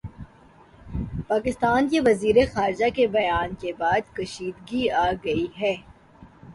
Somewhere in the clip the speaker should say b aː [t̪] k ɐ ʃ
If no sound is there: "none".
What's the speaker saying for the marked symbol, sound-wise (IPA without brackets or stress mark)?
d̪